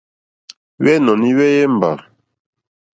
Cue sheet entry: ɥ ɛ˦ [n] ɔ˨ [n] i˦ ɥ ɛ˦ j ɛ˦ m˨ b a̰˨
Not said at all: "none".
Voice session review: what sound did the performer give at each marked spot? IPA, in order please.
n, n

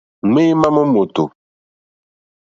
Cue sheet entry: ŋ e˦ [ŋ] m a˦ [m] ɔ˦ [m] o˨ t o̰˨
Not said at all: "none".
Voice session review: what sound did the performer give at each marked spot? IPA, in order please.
none, m, m

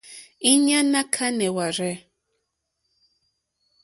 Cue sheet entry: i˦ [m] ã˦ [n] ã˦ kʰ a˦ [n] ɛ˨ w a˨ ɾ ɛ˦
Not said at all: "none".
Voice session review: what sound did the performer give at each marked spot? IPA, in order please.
ɲ, n, n

